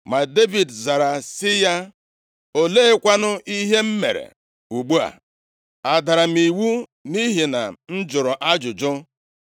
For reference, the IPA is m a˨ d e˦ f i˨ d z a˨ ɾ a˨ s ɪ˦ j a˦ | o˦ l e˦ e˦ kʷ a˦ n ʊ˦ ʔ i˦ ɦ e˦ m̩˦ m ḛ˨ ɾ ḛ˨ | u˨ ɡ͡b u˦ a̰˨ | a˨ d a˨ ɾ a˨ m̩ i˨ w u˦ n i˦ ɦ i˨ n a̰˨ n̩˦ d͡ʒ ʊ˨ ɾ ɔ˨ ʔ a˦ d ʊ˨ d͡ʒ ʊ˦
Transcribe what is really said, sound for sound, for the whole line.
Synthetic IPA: m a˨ d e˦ v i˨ d z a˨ ɾ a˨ s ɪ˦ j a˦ | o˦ l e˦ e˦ kʷ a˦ n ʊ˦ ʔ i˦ ɦ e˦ m̩˦ m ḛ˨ ɾ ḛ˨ | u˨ ɡ͡b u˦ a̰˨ | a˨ d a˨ ɾ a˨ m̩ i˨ w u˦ n i˦ ɦ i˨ n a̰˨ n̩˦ d͡ʒ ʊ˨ ɾ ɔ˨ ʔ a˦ d͡ʒ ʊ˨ d͡ʒ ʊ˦